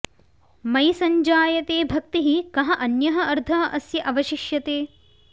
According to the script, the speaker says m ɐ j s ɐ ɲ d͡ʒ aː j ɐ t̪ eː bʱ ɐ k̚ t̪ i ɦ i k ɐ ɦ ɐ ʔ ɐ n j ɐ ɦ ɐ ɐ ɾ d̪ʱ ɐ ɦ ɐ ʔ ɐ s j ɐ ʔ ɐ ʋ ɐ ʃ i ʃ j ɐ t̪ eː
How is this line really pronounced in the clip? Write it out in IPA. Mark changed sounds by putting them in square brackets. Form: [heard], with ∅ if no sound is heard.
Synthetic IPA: m ɐ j s ɐ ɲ d͡ʒ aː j ɐ t̪ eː bʱ ɐ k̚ t̪ i ɦ i k ɐ ɦ ɐ ʔ ɐ n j ɐ ɦ ɐ ɐ ɾ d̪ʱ ɐ ɦ ɐ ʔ ɐ s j ɐ ʔ ɐ ʋ ɐ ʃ i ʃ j ɐ t̪ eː